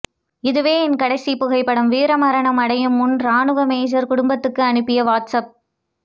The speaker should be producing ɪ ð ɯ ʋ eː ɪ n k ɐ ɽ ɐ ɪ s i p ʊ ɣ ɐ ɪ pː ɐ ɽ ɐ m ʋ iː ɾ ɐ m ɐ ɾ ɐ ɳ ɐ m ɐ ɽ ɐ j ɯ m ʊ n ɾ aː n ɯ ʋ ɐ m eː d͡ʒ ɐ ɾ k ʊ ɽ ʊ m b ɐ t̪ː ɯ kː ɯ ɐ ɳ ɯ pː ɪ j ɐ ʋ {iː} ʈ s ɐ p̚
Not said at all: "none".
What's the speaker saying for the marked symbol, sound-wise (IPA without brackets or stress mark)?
aː